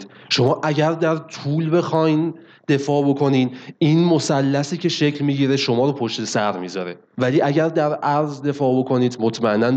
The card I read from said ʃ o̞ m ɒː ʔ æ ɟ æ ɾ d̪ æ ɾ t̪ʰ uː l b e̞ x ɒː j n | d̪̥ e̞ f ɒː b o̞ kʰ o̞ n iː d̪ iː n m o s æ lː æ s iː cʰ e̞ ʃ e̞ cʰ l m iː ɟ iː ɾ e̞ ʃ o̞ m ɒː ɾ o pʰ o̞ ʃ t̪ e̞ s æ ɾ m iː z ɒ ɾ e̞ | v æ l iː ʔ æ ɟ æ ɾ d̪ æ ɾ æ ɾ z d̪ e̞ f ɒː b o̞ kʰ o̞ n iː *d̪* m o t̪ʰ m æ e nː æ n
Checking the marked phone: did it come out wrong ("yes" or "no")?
no